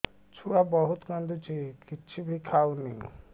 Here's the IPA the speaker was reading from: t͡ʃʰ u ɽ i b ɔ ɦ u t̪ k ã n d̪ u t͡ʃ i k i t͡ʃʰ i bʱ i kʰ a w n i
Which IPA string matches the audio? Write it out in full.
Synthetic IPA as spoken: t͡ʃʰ u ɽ a b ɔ ɦ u t̪ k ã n d̪ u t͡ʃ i k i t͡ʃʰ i bʱ i kʰ a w n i